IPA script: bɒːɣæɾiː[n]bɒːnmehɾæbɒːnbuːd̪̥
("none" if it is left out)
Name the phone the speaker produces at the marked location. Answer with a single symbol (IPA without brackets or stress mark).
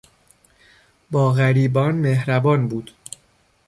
none